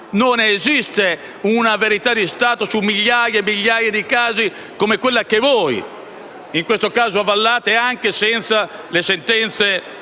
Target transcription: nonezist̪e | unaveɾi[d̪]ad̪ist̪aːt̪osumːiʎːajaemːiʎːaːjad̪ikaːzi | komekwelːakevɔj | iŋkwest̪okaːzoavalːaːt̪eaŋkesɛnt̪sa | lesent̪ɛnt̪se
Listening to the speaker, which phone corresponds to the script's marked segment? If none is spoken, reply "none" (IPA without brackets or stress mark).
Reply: t̪